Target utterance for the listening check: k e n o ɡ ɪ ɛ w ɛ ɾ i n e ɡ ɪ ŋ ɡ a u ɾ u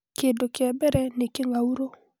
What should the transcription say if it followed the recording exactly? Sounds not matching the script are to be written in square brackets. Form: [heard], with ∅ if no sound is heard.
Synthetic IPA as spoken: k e [d] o [k] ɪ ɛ [b] ɛ ɾ [ɛ] n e [k] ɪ ŋ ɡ a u ɾ [o]